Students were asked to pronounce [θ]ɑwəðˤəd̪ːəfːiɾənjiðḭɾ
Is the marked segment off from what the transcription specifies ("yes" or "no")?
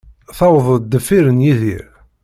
no